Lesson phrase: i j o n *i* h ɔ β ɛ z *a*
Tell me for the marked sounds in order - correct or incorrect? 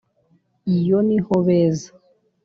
correct, correct

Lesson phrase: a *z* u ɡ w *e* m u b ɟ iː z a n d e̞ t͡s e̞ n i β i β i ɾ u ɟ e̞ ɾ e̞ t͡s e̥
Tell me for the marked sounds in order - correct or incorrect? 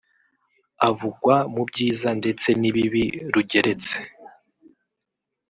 incorrect: v, incorrect: a

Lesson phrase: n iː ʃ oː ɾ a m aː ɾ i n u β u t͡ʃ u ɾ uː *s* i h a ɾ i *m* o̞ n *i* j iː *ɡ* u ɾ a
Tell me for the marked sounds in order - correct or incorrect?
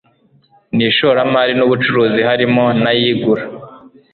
incorrect: z, correct, incorrect: a, correct

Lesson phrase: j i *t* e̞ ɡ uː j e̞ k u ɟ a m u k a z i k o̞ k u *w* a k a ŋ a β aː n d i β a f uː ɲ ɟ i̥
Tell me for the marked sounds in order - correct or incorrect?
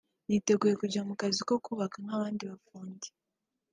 correct, incorrect: β

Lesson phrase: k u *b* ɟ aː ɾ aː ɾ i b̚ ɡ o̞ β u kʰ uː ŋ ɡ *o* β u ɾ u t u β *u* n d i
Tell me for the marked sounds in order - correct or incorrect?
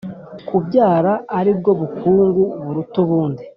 correct, incorrect: u, incorrect: uː

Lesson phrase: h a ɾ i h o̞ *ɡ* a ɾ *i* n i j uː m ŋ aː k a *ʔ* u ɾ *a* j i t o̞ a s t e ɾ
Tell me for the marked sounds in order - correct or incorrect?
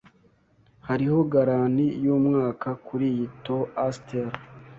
correct, incorrect: a, incorrect: k, incorrect: i

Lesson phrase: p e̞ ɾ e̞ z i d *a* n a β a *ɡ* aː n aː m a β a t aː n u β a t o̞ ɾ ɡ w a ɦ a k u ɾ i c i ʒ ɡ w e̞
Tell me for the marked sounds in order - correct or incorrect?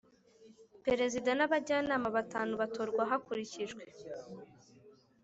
correct, incorrect: ɟ

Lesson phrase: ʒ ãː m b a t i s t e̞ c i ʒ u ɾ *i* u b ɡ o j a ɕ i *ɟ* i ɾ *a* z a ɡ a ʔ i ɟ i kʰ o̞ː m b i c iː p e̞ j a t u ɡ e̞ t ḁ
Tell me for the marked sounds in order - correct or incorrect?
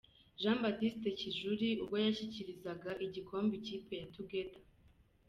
correct, incorrect: c, incorrect: i

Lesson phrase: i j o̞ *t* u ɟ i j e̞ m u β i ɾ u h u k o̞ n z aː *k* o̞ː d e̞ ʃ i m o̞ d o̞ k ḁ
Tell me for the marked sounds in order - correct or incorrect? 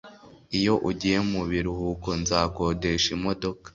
incorrect: ʔ, correct

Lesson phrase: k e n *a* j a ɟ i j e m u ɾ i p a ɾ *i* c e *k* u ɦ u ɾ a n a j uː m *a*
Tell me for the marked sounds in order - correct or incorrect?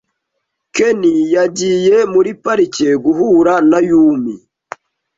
incorrect: i, correct, incorrect: ɡ, incorrect: i

